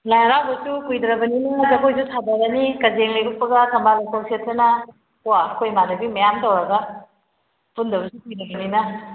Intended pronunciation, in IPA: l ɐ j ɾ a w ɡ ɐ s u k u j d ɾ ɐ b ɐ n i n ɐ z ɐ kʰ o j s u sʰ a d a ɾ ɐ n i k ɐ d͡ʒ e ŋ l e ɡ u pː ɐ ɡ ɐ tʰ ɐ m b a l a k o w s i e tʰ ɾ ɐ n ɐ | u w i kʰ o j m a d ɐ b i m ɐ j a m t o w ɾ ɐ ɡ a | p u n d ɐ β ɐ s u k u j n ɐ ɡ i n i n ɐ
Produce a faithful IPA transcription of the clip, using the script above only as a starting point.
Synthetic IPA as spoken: l a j ɾ a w b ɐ s u k u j d ɾ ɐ b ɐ n i n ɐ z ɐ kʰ o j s u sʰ a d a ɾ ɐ n i k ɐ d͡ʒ e ŋ l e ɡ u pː ɐ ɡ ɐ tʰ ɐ m b a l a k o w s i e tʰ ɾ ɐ n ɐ | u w a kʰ o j m a d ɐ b i m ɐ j a m t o w ɾ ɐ ɡ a | p u n d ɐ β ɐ s u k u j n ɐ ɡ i n i n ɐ